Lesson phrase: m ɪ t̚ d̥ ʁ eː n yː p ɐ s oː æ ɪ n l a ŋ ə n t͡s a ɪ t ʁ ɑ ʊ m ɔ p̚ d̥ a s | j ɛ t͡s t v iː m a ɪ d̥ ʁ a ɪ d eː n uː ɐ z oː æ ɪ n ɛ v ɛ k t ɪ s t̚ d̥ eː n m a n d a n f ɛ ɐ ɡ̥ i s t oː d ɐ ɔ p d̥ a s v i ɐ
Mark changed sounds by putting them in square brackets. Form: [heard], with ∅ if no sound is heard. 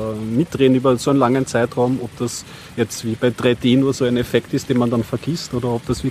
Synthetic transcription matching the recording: m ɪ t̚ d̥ ʁ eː n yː [b] ɐ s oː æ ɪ n l a ŋ ə n t͡s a ɪ t ʁ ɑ ʊ m ɔ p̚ d̥ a s | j ɛ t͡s t v iː [b] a ɪ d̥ ʁ a ɪ d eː n uː ɐ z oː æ ɪ n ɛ [f] ɛ k t ɪ s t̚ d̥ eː n m a n d a n f ɛ ɐ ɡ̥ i s t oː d ɐ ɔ p d̥ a s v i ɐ